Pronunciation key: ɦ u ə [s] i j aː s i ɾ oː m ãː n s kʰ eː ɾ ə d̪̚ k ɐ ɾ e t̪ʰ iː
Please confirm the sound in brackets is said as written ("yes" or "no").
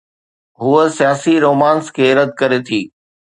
yes